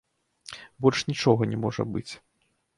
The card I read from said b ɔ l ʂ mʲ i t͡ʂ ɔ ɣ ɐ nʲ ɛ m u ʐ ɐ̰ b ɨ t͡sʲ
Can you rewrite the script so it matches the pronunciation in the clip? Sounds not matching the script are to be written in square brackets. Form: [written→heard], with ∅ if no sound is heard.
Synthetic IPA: b ɔ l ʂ [mʲ→nʲ] i t͡ʂ ɔ ɣ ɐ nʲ ɛ m [u→ɔ] ʐ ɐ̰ b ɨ t͡sʲ